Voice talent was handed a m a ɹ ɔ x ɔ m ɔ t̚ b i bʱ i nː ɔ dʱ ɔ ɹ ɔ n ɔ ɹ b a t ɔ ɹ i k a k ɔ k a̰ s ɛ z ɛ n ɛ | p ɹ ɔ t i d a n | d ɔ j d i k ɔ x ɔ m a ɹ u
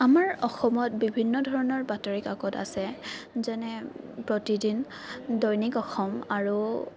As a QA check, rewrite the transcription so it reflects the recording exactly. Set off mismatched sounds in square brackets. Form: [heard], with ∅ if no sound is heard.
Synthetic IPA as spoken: a m a ɹ ɔ x ɔ m ɔ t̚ b i bʱ i nː ɔ dʱ ɔ ɹ ɔ n ɔ ɹ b a t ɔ ɹ i k a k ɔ [t] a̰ s ɛ z ɛ n ɛ | p ɹ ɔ t i d [i] n | d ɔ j [n] i k ɔ x ɔ m a ɹ u